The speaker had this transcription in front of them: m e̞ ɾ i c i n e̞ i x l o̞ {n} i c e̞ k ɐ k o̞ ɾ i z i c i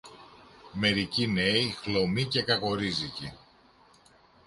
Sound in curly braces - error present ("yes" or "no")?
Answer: yes